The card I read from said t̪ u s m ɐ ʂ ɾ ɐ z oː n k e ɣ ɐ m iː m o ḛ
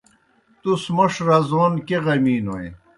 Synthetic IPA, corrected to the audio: t̪ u s m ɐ ʂ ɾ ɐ z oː n k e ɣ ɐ m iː n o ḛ